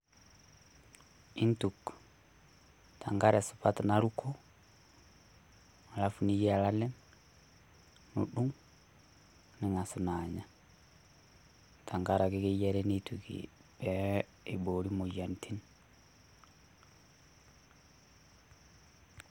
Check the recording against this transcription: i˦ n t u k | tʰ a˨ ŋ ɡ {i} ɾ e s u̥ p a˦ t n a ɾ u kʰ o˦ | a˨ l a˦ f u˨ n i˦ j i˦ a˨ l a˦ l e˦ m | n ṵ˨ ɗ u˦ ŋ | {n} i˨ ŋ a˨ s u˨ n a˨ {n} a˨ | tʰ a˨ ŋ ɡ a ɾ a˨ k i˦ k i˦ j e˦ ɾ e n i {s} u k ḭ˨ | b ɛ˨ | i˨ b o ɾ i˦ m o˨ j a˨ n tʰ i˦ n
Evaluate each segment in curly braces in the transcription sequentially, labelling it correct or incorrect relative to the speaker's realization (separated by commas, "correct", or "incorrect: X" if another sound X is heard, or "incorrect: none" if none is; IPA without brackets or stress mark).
incorrect: a, correct, incorrect: ɲ, incorrect: t